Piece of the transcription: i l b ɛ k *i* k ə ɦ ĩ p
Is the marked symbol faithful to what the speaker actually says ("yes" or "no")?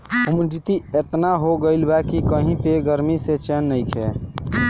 yes